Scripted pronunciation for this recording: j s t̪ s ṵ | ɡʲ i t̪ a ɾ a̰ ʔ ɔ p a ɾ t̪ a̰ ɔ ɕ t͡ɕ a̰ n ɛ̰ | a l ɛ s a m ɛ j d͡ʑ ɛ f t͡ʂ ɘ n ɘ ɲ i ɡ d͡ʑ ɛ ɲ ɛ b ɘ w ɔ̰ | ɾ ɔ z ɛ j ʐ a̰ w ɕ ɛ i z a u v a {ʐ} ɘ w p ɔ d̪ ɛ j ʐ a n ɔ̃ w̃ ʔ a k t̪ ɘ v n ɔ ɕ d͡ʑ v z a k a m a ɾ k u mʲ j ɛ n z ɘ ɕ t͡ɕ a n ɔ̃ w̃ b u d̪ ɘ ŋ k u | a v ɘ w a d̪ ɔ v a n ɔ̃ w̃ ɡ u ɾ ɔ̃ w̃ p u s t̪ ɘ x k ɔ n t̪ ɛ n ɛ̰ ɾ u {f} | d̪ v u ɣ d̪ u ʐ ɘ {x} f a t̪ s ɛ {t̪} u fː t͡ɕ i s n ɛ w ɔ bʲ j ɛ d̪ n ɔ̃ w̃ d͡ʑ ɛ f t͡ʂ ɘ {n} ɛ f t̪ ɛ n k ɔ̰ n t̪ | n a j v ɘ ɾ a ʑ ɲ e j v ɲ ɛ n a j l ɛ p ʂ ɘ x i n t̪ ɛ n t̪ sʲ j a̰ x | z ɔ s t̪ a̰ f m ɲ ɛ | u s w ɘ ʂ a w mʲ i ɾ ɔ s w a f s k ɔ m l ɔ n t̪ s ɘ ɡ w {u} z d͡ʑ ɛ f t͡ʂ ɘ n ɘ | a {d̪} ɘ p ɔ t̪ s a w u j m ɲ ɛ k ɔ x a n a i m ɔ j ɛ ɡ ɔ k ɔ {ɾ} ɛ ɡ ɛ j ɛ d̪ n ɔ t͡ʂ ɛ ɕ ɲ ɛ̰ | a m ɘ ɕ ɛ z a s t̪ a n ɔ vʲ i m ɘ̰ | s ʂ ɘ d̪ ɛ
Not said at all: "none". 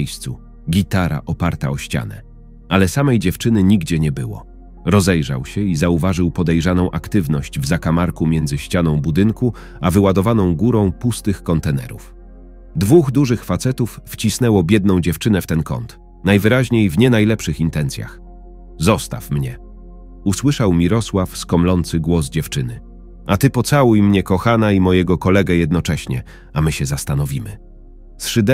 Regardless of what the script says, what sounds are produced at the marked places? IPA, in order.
ʐ, f, x, t̪, n, ɔ, t̪, l

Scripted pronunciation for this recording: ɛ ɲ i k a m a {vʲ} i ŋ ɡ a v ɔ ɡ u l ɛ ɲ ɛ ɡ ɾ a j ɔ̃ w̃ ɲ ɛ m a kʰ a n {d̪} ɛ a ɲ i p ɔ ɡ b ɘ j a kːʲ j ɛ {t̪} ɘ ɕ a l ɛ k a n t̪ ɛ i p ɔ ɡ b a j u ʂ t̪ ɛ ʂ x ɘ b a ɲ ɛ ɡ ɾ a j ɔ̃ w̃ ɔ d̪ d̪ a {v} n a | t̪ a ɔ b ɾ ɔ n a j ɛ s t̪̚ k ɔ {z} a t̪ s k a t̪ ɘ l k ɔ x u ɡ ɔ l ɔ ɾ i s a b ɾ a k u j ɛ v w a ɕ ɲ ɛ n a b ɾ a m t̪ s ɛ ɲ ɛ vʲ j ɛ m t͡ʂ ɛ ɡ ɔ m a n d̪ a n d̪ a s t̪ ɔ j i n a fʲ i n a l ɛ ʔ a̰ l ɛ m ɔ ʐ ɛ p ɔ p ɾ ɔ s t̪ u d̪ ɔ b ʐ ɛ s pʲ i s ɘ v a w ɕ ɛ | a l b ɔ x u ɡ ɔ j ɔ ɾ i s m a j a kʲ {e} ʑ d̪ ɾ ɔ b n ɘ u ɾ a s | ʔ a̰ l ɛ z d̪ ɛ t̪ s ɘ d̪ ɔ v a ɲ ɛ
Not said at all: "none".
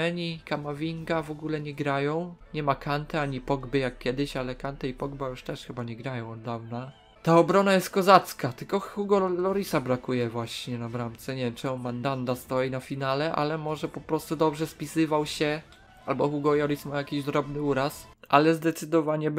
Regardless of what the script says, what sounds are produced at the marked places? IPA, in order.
vʲ, t̪, d̪, v, z, i

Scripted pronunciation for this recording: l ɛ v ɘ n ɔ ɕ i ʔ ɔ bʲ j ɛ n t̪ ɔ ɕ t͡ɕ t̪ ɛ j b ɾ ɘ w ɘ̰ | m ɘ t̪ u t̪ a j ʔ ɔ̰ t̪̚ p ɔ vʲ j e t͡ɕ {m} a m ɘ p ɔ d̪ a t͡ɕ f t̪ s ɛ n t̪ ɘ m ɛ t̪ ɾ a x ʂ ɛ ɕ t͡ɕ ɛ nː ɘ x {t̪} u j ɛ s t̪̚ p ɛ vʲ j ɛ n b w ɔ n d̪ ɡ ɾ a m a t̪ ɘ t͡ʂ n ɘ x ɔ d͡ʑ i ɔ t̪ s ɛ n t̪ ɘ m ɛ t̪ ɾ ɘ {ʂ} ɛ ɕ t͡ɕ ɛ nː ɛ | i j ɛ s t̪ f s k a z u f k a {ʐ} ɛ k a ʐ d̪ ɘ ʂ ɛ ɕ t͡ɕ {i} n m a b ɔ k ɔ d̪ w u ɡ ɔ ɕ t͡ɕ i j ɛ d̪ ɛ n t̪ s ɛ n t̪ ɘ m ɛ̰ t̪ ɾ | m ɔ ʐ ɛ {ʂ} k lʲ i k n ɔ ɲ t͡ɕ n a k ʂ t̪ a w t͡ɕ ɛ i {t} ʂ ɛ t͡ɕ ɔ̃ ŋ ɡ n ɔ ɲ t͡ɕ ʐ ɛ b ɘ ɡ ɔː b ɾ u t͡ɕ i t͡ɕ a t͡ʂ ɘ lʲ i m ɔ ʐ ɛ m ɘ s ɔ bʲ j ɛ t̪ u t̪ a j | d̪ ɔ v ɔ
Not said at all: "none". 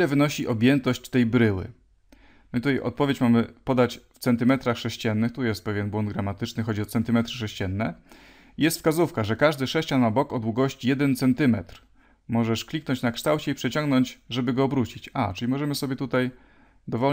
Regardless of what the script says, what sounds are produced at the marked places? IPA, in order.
m, t̪, ʂ, ʐ, a, ʂ, p

